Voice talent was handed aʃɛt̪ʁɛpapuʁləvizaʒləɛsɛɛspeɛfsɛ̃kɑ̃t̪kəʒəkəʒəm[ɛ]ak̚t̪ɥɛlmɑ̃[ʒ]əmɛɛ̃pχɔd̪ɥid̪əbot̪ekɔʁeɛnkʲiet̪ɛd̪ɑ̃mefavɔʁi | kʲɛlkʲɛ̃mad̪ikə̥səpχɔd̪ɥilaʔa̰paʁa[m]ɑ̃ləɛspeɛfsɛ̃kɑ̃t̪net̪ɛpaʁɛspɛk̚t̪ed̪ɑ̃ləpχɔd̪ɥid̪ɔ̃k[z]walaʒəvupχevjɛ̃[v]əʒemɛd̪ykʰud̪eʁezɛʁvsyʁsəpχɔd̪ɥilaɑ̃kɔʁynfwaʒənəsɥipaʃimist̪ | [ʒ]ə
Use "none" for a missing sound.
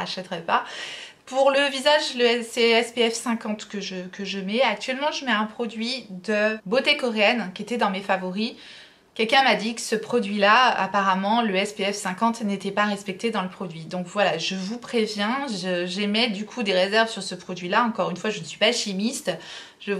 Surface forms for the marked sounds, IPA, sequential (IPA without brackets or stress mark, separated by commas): ɛ, ʒ, m, v, ʒ, ʒ